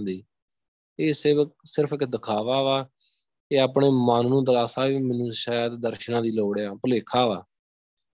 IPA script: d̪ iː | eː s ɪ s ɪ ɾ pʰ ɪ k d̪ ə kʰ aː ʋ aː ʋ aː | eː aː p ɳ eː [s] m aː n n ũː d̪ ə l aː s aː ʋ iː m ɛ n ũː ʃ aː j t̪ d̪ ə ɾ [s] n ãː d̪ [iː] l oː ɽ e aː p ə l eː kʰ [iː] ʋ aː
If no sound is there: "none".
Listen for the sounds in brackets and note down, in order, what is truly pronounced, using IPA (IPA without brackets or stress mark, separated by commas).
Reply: none, ʃ, iː, aː